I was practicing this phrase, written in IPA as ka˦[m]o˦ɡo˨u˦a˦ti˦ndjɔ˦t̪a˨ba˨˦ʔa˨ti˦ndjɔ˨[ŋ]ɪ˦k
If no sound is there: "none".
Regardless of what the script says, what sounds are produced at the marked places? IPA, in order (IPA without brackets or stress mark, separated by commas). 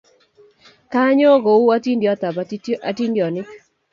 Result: ɲ, n